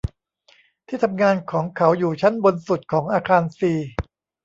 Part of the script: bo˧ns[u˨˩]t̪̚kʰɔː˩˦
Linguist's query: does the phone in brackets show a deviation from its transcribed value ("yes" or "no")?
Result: no